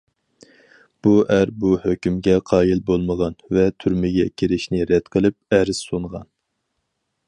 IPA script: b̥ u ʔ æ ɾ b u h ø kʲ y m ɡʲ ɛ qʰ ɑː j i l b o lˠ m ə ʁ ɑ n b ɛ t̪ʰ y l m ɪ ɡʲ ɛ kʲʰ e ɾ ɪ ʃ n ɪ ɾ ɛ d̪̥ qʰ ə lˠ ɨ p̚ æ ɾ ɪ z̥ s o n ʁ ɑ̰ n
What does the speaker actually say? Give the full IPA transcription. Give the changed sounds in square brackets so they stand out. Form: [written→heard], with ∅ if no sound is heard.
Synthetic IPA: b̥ u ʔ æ ɾ b u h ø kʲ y m ɡʲ ɛ qʰ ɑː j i l b o lˠ m ə ʁ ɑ n [b→v] ɛ t̪ʰ y [l→ɾ] m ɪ ɡʲ ɛ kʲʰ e ɾ ɪ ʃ n ɪ ɾ ɛ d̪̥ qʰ ə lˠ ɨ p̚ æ ɾ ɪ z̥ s o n ʁ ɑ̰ n